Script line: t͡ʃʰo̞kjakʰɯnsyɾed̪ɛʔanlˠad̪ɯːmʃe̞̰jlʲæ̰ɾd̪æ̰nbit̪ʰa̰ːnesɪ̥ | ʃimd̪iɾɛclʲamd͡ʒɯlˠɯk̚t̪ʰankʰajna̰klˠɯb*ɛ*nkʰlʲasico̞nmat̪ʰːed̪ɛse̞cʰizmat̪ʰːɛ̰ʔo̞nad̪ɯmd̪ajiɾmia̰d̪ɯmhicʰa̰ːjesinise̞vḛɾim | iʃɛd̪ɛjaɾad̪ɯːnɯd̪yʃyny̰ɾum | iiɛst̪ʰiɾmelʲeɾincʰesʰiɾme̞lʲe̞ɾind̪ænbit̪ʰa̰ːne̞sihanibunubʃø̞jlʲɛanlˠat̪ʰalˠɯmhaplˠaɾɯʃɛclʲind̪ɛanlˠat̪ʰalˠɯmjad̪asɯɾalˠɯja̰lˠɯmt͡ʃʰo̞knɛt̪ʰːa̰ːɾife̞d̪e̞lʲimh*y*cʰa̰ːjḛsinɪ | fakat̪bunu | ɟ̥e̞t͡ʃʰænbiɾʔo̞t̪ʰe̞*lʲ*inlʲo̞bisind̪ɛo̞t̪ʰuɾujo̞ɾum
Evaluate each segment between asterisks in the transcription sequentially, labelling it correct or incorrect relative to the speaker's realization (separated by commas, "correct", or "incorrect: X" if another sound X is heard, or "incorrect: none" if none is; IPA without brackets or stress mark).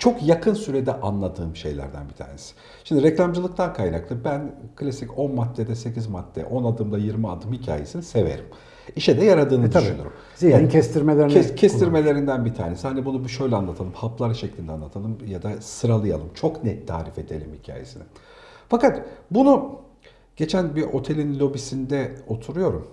incorrect: æ, incorrect: i, correct